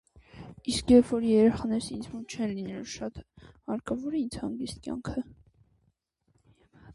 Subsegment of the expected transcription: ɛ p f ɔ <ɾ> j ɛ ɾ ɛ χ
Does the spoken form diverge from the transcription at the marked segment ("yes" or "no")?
no